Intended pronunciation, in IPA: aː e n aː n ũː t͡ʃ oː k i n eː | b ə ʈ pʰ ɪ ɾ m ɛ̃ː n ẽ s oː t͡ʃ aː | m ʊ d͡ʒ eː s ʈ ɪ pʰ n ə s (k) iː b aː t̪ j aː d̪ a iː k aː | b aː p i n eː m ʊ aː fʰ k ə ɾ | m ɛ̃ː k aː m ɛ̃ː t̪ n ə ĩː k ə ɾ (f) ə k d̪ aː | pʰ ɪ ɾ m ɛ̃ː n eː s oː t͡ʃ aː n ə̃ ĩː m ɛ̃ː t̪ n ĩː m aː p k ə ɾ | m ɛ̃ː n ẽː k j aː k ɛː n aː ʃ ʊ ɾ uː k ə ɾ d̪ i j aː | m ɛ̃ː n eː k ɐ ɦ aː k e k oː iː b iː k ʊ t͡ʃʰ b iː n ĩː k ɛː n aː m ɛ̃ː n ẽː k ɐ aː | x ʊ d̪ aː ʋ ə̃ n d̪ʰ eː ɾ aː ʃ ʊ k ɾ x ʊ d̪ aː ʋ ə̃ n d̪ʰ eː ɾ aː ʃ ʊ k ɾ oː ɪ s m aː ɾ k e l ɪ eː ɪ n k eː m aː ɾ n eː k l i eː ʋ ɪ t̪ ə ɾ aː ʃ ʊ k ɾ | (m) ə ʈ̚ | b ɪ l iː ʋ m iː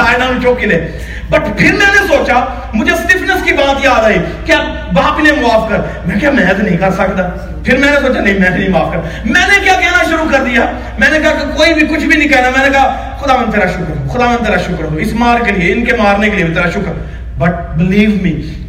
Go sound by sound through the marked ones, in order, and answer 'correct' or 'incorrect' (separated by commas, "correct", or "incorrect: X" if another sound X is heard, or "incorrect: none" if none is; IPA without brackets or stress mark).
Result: correct, incorrect: s, incorrect: b